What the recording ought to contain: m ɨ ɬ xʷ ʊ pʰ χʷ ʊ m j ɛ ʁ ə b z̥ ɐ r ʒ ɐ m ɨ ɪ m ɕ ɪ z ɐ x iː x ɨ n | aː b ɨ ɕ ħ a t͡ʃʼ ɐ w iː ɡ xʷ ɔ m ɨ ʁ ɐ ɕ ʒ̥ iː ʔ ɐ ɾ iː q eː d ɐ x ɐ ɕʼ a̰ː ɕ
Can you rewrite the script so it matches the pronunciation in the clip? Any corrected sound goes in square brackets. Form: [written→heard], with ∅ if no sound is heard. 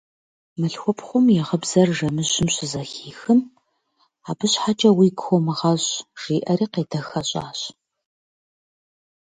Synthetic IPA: m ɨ ɬ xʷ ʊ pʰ χʷ ʊ m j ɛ ʁ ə b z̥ ɐ r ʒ ɐ m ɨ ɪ m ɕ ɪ z ɐ x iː x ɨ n | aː b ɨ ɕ ħ a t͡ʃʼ ɐ w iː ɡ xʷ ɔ m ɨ ʁ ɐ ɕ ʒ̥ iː ʔ ɐ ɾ iː q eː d ɐ x ɐ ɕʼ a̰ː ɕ